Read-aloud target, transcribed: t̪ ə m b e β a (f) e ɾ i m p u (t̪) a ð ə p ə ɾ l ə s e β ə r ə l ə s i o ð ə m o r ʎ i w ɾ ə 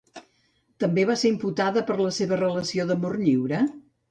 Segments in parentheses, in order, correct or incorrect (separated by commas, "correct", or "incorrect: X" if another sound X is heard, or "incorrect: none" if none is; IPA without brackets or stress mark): incorrect: s, correct